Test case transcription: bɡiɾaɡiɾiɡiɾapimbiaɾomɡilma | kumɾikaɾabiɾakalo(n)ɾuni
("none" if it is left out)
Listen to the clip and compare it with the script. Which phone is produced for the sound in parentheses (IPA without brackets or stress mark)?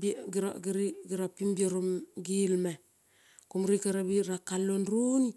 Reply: n